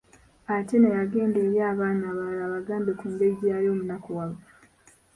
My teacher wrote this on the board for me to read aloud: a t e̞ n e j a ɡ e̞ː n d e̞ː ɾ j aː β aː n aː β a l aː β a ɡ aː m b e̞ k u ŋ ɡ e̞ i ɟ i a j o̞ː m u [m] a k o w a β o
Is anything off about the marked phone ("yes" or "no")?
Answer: yes